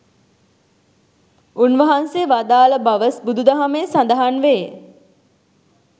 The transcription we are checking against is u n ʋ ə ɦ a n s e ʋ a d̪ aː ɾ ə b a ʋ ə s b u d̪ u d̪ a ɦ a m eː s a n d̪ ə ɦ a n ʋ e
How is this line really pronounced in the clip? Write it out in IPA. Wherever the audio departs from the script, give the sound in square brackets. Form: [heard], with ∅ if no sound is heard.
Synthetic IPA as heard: u n ʋ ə ɦ a n s e ʋ a d̪ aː [l] ə b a ʋ ə s b u d̪ u d̪ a ɦ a m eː s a n d̪ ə ɦ a n ʋ e

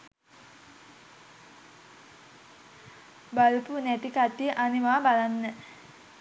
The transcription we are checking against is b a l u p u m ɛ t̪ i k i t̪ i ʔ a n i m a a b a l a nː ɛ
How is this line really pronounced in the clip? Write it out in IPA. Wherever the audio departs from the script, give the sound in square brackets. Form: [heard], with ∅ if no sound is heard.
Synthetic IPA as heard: b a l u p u [n] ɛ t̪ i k [a] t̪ i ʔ a n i m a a b a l a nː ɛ

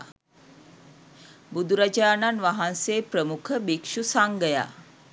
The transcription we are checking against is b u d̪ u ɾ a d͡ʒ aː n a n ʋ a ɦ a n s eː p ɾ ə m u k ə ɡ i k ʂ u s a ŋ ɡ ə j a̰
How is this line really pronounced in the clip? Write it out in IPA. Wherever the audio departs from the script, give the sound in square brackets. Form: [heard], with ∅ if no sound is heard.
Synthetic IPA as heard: b u d̪ u ɾ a d͡ʒ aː n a n ʋ a ɦ a n s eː p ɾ ə m u [kʰ] ə [b] i k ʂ u s a ŋ ɡ ə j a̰

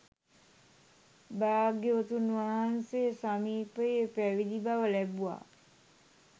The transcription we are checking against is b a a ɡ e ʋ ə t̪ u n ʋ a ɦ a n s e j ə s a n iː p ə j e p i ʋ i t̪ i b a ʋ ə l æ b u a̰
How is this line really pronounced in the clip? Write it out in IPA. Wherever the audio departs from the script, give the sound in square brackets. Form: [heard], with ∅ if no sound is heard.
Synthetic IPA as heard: b a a ɡ e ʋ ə t̪ u n ʋ a ɦ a n s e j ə s a [m] iː p ə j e p [æ] ʋ i [d̪] i b a ʋ ə l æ b u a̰

